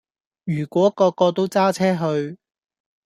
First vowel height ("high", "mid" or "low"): high